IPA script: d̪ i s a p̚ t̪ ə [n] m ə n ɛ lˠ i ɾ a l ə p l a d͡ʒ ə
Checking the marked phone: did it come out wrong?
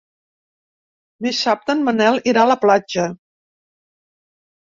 no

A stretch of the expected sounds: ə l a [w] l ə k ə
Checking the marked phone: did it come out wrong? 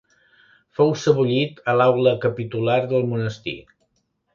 no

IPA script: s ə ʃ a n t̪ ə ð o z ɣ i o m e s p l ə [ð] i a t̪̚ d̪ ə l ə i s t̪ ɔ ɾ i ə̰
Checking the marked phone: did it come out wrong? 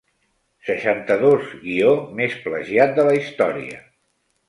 yes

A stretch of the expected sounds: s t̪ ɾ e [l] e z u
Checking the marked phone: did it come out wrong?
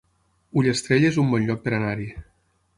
yes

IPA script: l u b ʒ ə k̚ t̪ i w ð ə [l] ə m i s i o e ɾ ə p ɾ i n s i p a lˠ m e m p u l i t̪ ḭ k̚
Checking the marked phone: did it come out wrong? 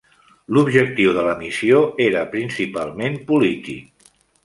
no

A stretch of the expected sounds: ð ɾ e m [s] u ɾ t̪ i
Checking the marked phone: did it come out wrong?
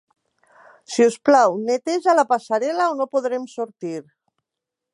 no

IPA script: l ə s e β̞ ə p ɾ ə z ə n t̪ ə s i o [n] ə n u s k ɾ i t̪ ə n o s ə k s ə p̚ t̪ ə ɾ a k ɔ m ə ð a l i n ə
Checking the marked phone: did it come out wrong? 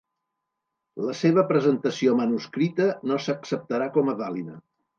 yes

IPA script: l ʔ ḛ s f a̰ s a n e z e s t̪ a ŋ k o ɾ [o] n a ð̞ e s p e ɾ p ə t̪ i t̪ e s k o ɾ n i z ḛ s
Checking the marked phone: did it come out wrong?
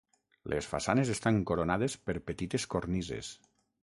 no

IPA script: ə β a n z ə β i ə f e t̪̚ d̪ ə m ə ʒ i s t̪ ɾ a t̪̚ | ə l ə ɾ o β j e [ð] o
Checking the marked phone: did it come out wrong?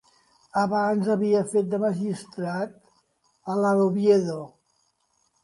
no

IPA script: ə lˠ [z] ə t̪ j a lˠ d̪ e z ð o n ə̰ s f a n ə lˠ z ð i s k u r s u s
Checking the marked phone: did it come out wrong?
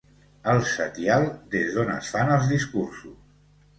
yes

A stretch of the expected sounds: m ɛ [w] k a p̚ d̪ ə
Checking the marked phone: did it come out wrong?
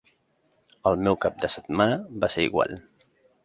no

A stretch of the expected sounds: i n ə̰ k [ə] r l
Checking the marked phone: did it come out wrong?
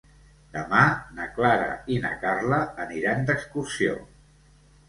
yes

